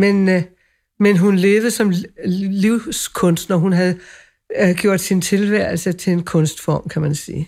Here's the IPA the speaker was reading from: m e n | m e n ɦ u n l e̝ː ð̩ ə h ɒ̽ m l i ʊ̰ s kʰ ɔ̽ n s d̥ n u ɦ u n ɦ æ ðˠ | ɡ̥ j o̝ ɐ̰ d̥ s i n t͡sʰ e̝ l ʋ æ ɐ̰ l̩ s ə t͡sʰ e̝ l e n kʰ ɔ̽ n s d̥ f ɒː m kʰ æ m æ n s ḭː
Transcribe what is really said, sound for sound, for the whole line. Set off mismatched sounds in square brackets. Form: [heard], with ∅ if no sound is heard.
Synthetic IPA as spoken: m e n | m e n ɦ u n l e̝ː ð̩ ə [s] ɒ̽ m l i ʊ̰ s kʰ ɔ̽ n s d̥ n [ɒ] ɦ u n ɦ æ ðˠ | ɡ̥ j o̝ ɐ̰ d̥ s i n t͡sʰ e̝ l ʋ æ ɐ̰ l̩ s ə t͡sʰ e̝ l e n kʰ ɔ̽ n s d̥ f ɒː m kʰ æ m æ n s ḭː